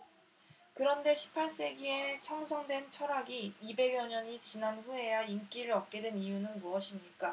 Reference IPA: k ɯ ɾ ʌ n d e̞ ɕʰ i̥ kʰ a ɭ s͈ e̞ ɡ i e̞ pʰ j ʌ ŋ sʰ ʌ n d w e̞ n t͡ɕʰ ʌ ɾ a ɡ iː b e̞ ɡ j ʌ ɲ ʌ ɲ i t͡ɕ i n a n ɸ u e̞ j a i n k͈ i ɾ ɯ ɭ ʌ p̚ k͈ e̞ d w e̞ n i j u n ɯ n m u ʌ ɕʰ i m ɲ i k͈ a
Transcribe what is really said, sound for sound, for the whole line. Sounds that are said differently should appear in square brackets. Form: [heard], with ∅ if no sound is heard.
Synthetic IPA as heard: k ɯ ɾ ʌ n d e̞ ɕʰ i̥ [pʰ] a ɭ s͈ e̞ ɡ i e̞ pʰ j ʌ ŋ sʰ ʌ [ŋ] d w e̞ n t͡ɕʰ ʌ ɾ a ɡ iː b e̞ ɡ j ʌ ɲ ʌ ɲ i t͡ɕ i n a n ɸ u e̞ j a i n k͈ i ɾ ɯ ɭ ʌ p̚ k͈ e̞ d w e̞ n i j u n ɯ n m u ʌ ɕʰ i m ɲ i k͈ a